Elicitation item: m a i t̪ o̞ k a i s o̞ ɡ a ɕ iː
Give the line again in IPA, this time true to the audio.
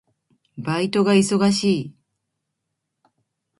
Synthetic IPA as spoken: b a i t̪ o̞ ɡ a i s o̞ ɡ a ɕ iː